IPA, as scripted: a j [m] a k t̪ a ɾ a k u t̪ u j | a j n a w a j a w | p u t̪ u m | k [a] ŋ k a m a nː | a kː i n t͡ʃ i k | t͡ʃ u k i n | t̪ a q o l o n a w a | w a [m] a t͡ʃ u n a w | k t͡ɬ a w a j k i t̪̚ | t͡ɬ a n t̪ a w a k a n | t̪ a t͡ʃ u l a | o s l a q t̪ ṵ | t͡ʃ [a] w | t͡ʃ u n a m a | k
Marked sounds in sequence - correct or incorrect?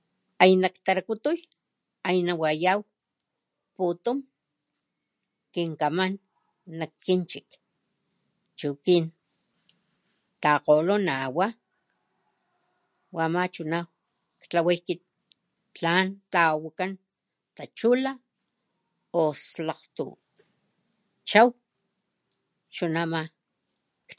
incorrect, incorrect, correct, correct

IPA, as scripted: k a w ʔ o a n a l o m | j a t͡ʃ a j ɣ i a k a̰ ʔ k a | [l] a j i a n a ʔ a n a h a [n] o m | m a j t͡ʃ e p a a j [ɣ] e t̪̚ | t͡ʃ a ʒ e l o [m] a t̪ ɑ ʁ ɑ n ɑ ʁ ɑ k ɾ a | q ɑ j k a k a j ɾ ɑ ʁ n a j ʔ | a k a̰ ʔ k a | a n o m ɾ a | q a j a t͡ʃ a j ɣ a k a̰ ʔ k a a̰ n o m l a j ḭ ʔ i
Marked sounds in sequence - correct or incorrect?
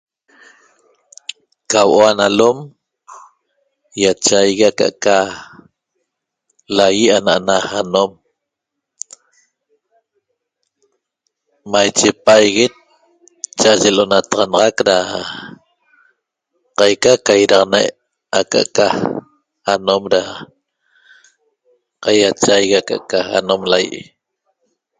correct, correct, correct, incorrect

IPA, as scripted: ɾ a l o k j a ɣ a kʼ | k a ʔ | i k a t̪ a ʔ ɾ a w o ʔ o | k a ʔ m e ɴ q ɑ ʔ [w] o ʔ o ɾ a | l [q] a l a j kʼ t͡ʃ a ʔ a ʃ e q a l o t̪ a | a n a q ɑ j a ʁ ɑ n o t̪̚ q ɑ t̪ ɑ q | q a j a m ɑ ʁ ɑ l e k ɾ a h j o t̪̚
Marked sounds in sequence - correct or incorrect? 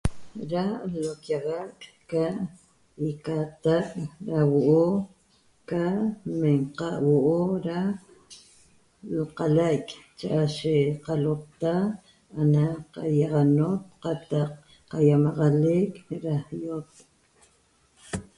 correct, correct

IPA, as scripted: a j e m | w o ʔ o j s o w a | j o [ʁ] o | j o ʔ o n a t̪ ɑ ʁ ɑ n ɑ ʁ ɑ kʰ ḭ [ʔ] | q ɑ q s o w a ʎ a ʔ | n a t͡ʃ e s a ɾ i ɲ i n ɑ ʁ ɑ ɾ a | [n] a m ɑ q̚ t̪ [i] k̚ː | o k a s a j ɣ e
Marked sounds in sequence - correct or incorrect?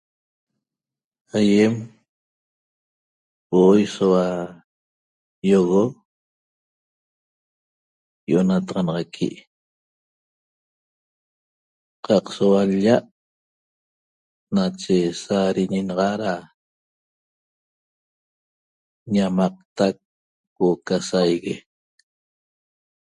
incorrect, correct, incorrect, incorrect

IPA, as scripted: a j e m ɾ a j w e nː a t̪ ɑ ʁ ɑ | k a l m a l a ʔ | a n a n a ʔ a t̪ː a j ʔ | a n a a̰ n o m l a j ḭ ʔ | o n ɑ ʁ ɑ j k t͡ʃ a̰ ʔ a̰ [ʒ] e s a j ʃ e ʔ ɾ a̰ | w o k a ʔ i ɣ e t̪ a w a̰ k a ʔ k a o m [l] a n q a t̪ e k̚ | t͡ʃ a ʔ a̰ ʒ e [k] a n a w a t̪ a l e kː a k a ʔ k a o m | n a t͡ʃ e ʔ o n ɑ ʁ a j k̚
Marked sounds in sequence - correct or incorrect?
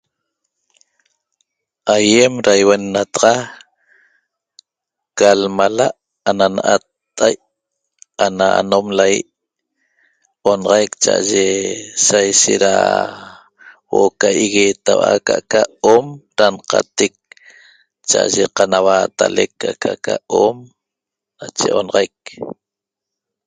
correct, incorrect, incorrect

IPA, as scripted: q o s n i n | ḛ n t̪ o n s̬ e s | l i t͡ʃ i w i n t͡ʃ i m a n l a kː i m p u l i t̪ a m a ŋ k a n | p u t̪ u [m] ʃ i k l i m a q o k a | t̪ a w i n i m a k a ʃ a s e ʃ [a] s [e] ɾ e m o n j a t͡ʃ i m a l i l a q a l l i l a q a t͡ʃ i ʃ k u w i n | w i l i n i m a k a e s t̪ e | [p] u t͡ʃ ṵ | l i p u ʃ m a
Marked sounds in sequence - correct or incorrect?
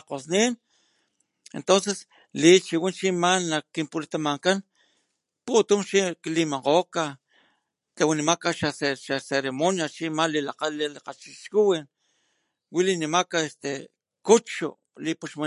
correct, correct, correct, incorrect

